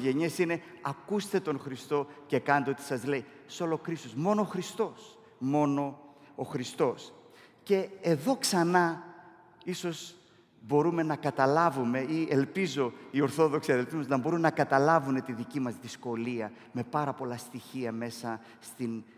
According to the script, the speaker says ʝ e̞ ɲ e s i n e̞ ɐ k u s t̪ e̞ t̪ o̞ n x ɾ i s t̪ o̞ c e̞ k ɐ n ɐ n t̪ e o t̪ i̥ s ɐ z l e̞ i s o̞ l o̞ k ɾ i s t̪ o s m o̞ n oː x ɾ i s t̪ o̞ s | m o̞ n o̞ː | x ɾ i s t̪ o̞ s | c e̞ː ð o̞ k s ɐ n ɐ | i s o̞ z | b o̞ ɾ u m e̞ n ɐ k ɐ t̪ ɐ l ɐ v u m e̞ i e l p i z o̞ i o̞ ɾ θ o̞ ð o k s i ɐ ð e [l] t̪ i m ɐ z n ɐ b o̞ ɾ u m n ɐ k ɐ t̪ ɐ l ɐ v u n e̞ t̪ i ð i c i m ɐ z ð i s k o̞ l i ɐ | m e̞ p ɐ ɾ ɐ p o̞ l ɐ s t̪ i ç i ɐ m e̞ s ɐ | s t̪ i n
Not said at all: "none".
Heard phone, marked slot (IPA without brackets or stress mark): l